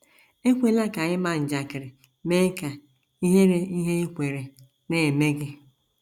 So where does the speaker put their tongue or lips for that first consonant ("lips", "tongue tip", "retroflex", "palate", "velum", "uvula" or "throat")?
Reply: velum